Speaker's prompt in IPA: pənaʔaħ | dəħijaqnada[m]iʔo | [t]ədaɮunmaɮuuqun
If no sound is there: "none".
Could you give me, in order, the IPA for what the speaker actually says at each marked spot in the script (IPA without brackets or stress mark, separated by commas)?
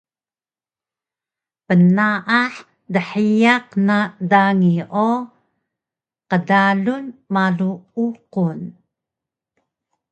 ŋ, q